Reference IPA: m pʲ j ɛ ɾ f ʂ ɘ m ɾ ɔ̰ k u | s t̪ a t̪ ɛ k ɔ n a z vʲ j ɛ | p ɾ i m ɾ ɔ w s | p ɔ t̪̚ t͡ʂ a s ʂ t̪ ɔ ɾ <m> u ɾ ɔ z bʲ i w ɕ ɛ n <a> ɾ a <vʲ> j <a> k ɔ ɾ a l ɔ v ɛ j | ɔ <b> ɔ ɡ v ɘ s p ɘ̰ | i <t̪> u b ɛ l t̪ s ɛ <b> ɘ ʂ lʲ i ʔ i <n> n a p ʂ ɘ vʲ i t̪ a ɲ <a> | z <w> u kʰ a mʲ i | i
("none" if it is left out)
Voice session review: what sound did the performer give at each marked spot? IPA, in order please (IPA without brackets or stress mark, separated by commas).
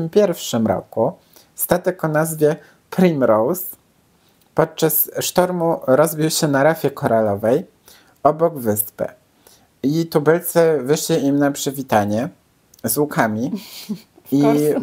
m, a, fʲ, ɛ, b, t̪, v, m, ɛ, w